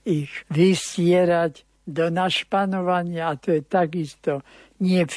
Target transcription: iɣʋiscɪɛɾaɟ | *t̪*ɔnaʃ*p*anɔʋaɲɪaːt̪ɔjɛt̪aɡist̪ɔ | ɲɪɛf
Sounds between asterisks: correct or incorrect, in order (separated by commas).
incorrect, correct